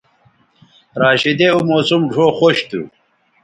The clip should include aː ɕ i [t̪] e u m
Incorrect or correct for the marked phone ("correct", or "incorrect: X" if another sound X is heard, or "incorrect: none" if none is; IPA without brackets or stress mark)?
incorrect: d̪